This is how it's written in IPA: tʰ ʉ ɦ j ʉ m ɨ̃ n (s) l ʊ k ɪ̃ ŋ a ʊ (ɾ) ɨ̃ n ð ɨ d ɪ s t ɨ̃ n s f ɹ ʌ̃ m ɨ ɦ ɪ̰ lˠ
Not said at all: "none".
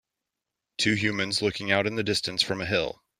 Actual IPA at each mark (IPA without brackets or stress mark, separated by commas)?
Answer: z, ɾ